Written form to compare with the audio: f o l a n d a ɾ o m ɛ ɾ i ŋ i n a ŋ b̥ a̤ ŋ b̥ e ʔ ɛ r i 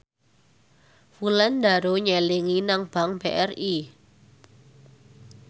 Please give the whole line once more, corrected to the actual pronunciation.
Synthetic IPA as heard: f u l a n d a ɾ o ɲ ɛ l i ŋ i n a ŋ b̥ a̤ ŋ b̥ e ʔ ɛ r i